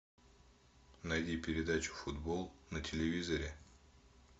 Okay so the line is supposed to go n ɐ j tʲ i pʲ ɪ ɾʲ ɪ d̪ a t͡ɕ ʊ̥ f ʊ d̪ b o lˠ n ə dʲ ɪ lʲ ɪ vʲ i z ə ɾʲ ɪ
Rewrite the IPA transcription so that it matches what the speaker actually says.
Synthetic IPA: n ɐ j dʲ i pʲ ɪ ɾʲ ɪ d̪ a t͡ɕ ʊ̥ f ʊ d̪ b o lˠ n ə tʲ ɪ lʲ ɪ vʲ i z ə ɾʲ ɪ

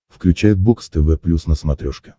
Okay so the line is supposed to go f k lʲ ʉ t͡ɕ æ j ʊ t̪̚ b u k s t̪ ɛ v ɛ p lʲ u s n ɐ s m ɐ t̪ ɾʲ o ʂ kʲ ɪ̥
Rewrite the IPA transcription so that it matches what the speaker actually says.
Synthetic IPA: f k lʲ ʉ t͡ɕ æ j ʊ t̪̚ b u k s t̪ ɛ v ɛ p lʲ u s n ə s m ɐ t̪ ɾʲ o ʂ kʲ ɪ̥

